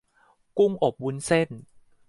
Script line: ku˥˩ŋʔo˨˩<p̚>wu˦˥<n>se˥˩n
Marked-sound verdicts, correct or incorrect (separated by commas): correct, correct